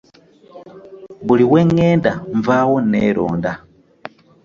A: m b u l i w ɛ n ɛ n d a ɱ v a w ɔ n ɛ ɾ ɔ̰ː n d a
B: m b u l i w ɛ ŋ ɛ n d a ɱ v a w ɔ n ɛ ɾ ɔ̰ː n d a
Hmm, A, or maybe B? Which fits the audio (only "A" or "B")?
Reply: B